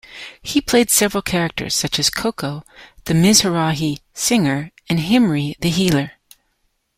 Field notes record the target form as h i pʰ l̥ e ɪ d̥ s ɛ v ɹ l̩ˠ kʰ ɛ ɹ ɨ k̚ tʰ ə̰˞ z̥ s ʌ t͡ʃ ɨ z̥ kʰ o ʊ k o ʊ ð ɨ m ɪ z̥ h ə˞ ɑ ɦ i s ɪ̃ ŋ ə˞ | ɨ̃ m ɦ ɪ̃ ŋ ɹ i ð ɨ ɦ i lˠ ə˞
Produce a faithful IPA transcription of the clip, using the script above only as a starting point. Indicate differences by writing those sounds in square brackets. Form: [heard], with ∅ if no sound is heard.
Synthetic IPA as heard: h i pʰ l̥ e ɪ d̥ s ɛ v ɹ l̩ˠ kʰ ɛ ɹ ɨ k̚ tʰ ə̰˞ z̥ s ʌ t͡ʃ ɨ z̥ kʰ o ʊ k o ʊ ð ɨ m ɪ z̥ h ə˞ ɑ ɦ i s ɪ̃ ŋ ə˞ | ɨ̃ [n] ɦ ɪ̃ [m] ɹ i ð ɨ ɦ i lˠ ə˞